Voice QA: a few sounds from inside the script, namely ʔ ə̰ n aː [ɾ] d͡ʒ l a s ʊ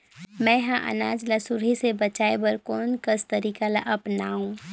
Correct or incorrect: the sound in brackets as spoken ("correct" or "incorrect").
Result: incorrect